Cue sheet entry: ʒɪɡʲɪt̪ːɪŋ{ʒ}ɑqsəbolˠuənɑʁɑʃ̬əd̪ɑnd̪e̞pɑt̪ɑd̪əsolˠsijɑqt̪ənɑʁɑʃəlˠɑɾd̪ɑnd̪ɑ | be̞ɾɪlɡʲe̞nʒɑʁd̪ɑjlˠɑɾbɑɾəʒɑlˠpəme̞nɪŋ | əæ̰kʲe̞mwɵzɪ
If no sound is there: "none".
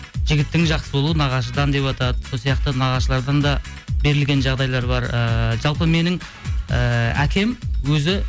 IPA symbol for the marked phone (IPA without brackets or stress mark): ʒ